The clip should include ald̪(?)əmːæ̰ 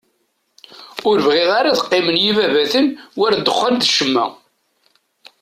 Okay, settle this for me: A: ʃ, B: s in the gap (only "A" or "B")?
A